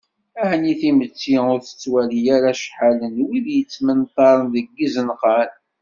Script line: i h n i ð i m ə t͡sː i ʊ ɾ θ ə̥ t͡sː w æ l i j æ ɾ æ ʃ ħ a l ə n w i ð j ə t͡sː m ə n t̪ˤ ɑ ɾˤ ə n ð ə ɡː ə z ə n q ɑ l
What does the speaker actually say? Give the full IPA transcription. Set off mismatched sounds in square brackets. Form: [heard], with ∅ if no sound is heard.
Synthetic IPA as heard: [æ] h n i [θ] i m ə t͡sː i ʊ ɾ θ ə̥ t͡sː w æ l i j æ ɾ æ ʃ ħ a l ə n w i ð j ə t͡sː m ə n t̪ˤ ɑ ɾˤ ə n ð ə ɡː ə z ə n q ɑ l

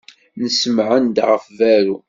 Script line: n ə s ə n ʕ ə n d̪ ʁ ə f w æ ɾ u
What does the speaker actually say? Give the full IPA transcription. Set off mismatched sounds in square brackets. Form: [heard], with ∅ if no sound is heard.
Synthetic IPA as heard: n ə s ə [m] ʕ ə n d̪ ʁ ə f [v] æ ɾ u

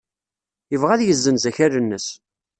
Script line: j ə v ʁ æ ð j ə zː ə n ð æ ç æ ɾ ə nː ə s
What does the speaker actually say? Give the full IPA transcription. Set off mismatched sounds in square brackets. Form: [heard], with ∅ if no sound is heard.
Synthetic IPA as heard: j ə v ʁ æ ð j ə zː ə n [z] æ ç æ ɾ ə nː ə s

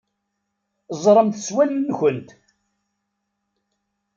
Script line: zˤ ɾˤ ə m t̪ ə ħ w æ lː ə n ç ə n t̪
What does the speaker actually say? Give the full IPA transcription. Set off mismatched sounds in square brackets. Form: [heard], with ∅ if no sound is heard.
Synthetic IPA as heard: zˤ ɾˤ ə m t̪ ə [s] w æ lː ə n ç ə n t̪

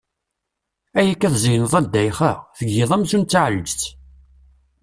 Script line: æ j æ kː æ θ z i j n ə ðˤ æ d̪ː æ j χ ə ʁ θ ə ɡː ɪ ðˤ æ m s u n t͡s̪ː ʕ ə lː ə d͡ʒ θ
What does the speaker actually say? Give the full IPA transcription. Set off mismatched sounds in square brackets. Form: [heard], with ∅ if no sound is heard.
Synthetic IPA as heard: æ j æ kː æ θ z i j n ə ðˤ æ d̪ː æ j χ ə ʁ θ ə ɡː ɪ ðˤ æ m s u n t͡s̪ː ʕ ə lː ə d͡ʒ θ

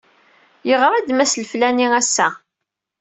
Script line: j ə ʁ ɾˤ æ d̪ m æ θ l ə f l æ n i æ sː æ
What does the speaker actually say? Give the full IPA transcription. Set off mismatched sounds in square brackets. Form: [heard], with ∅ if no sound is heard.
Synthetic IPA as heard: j ə ʁ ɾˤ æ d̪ m æ [s] l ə f l æ n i æ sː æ

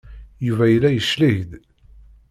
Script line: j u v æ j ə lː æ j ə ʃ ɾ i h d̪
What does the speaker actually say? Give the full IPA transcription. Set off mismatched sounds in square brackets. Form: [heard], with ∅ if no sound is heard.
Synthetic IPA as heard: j u v æ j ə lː æ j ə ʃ [l] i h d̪

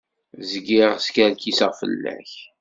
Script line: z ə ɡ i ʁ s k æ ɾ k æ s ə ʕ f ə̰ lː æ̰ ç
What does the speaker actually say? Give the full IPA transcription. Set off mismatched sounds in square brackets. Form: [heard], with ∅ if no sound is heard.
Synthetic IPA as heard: z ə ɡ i ʁ s k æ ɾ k [i] s ə [ʁ] f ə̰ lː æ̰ ç

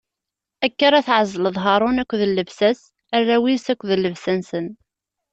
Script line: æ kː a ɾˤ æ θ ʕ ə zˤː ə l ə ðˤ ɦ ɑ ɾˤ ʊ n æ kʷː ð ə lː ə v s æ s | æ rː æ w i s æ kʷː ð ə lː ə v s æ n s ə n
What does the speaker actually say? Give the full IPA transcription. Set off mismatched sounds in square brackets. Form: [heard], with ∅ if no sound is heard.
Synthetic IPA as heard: æ kː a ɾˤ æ θ ʕ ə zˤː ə l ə ðˤ ɦ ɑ ɾˤ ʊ n æ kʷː ð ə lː ə v s æ s | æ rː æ w i s æ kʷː ð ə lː ə v s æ n s ə n

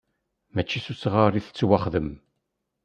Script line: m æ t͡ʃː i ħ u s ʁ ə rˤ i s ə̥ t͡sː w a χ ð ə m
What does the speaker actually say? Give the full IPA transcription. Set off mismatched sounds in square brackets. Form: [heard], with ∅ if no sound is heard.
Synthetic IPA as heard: m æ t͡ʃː i [s] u s ʁ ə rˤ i [θ] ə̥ t͡sː w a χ ð ə m

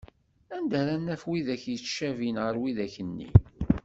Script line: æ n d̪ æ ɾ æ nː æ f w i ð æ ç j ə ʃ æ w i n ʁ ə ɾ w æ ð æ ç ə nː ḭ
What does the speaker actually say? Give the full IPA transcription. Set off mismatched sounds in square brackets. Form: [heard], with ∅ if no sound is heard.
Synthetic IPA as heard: æ n d̪ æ ɾ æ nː æ f w i ð æ ç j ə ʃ æ [v] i n ʁ ə ɾ w [i] ð æ ç ə nː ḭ

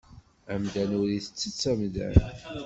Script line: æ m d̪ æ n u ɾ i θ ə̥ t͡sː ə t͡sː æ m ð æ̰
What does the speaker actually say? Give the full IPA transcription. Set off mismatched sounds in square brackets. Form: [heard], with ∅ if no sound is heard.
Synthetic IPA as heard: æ m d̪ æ n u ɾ i θ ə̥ t͡sː ə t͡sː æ m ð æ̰

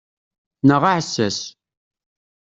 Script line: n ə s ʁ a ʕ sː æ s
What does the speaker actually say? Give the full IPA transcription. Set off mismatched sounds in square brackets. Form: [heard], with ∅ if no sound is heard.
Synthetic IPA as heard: n ə [∅] ʁ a ʕ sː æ s

